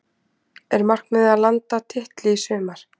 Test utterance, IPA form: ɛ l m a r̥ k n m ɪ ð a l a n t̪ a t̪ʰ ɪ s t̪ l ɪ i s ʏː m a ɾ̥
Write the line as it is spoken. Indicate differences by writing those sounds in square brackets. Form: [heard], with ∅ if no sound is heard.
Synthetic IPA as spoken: ɛ [ɾ] m a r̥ k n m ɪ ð a l a n t̪ a t̪ʰ ɪ [h] t̪ l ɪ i s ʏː m a ɾ̥